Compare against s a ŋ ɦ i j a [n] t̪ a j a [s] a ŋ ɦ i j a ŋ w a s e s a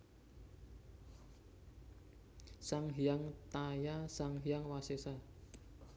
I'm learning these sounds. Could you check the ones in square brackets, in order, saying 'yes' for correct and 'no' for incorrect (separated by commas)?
no, yes